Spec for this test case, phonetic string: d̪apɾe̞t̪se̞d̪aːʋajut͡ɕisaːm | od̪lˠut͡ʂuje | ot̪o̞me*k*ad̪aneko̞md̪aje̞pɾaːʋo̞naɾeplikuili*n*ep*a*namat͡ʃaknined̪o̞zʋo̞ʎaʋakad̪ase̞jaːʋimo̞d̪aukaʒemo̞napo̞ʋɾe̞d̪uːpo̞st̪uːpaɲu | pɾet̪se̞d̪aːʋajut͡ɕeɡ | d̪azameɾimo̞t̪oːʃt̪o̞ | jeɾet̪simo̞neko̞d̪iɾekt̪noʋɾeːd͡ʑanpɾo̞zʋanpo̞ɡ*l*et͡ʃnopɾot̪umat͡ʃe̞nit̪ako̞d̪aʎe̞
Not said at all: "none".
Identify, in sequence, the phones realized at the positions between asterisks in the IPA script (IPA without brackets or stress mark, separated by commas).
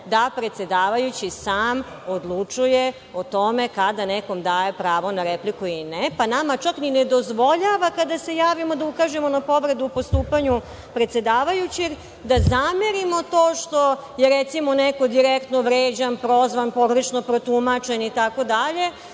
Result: k, n, a, ɾ